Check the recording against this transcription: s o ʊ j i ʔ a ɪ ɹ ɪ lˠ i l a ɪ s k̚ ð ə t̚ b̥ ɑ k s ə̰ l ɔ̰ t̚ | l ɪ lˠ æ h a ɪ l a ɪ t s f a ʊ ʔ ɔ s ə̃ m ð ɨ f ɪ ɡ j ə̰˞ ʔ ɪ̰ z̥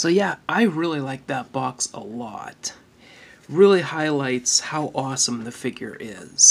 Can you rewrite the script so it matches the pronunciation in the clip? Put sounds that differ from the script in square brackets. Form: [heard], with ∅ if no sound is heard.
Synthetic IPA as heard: s o ʊ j [æ] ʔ a ɪ ɹ ɪ lˠ i l a ɪ [∅] k̚ ð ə t̚ b̥ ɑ k s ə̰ l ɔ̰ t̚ | [ɹ] ɪ lˠ [i] h a ɪ l a ɪ t s [h] a ʊ ʔ ɔ s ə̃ m ð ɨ f ɪ ɡ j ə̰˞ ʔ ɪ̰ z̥

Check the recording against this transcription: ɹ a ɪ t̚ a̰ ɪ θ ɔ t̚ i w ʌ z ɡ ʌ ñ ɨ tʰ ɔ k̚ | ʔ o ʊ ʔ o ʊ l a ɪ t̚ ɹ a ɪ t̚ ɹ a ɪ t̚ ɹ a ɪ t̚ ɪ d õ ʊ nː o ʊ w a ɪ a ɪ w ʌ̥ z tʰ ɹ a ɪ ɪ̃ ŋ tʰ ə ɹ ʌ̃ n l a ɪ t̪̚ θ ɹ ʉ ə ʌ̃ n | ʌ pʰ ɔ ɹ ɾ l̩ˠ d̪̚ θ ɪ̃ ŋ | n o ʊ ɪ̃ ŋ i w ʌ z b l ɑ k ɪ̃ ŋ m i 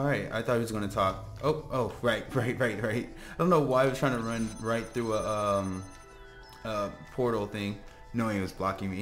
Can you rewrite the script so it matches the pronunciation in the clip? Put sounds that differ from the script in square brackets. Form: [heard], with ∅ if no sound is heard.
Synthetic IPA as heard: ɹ a ɪ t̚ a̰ ɪ θ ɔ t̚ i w ʌ z ɡ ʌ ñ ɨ tʰ ɔ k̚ | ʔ o ʊ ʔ o ʊ [ɹ] a ɪ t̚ ɹ a ɪ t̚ ɹ a ɪ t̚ ɹ a ɪ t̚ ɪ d õ [ʊ̃] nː o ʊ w a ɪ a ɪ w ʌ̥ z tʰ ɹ a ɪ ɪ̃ ŋ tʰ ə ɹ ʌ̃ n [ɹ] a ɪ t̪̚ θ ɹ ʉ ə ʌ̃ [m] | ʌ pʰ ɔ ɹ ɾ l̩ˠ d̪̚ θ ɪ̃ ŋ | n o ʊ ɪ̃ ŋ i w ʌ z b l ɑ k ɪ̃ ŋ m i

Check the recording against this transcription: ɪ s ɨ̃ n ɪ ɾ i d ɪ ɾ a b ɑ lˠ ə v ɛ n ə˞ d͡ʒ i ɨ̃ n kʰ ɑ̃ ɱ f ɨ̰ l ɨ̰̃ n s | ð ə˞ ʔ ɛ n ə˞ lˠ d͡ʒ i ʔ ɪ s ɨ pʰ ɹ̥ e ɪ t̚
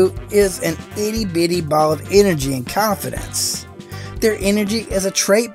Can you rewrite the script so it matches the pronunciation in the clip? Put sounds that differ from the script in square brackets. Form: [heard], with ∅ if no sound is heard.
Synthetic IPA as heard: ɪ [z] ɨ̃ n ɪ ɾ i [b] ɪ ɾ [i] b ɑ lˠ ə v ɛ n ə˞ d͡ʒ i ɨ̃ n kʰ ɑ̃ ɱ f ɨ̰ [ɾ] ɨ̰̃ n s | ð ə˞ ʔ ɛ n ə˞ [∅] d͡ʒ i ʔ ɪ [z] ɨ [tʰ] ɹ̥ e ɪ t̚

